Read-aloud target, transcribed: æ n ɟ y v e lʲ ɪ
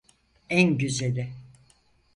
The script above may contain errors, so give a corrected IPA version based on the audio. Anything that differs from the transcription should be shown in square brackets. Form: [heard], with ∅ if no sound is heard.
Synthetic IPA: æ n ɟ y [z] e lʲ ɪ